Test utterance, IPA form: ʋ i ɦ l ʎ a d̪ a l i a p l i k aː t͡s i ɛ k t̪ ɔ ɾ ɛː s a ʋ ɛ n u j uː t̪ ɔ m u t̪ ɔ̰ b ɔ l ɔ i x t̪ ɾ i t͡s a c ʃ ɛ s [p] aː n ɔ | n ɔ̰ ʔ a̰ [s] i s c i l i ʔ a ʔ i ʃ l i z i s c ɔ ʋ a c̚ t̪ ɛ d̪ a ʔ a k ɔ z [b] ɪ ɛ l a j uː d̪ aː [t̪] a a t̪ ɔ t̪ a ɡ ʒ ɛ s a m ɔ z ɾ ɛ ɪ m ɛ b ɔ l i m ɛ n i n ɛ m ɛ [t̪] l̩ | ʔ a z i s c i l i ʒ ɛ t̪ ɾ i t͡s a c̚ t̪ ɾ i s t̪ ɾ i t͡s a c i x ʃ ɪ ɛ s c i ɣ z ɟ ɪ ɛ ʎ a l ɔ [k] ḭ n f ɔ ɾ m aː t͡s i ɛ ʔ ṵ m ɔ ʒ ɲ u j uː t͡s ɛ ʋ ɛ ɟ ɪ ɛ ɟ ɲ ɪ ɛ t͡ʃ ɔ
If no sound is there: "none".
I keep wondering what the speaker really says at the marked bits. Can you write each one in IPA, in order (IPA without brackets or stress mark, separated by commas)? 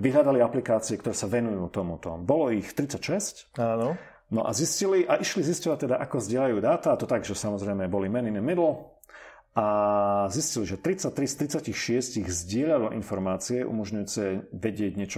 c, z, ɟ, t̪, d̪, ʔ